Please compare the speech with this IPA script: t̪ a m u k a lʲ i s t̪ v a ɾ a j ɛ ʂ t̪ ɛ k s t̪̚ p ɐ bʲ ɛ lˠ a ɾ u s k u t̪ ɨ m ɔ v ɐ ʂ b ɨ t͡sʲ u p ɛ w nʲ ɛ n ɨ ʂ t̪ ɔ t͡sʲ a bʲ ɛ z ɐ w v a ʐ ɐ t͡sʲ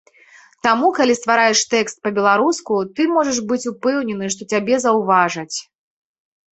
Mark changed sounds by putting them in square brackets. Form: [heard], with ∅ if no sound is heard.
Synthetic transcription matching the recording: t̪ a m u k a lʲ i s t̪ v a ɾ a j ɛ ʂ t̪ ɛ k s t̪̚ p ɐ bʲ ɛ lˠ a ɾ u s k u t̪ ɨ m ɔ [ʐ] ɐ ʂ b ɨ t͡sʲ u p ɛ w nʲ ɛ n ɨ ʂ t̪ ɔ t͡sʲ a bʲ ɛ z ɐ w v a ʐ ɐ t͡sʲ